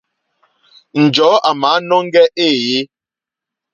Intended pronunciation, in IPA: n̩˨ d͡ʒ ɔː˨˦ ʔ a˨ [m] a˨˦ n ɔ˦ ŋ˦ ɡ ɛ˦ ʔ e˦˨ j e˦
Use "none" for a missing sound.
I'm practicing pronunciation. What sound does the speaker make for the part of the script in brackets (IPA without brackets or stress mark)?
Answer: m